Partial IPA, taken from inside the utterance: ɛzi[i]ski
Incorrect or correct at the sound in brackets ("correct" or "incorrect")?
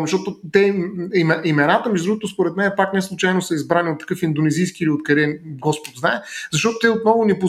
incorrect